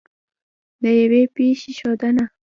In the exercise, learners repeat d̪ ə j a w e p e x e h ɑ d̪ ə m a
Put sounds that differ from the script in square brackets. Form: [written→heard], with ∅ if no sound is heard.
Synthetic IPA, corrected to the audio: d̪ ə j a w e p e [x→ʃ] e [h→ʃ] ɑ d̪ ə [m→n] a